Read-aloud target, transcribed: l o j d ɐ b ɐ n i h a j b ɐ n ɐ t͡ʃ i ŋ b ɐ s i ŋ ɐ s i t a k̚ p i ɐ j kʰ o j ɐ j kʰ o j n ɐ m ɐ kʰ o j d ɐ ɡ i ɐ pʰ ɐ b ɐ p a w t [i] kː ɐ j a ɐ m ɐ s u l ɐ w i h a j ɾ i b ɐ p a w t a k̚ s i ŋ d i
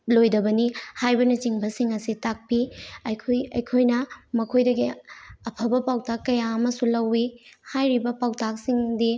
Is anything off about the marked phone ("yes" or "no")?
yes